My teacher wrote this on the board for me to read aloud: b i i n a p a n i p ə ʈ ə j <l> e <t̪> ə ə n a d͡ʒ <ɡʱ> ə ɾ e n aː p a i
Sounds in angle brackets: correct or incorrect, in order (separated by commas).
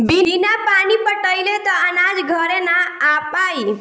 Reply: correct, correct, correct